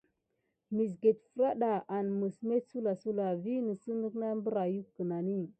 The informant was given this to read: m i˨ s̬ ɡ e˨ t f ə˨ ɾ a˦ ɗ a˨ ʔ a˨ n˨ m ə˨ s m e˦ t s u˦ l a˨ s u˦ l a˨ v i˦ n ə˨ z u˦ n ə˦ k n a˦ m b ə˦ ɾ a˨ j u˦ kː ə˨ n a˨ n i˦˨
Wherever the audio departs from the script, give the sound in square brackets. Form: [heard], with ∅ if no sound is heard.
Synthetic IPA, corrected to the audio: m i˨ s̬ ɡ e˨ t f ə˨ ɾ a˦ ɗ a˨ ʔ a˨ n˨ m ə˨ s m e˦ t s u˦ l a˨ s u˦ l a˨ v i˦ n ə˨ [s] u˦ n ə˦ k n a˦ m b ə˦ ɾ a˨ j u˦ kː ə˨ n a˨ n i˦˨